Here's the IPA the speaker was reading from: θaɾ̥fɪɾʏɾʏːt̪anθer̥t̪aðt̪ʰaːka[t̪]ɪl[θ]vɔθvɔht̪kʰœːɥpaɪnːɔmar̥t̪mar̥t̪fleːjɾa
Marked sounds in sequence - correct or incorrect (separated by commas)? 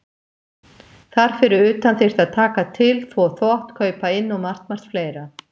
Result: incorrect, correct